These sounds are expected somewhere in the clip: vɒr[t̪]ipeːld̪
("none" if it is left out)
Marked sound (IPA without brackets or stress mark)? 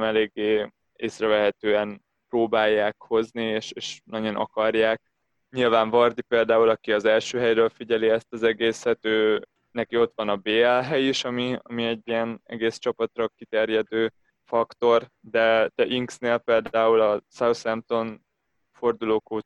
d̪